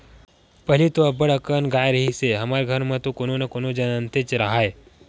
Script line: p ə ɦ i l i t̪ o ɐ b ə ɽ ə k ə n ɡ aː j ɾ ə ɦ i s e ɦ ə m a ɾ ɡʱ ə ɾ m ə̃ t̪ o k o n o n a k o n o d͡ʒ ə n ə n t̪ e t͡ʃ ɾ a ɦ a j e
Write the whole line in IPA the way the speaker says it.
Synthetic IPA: p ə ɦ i l i t̪ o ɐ b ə ɽ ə k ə n ɡ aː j ɾ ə ɦ i s e ɦ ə m a ɾ ɡʱ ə ɾ m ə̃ t̪ o k o n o n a k o n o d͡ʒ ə n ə n t̪ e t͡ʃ ɾ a ɦ a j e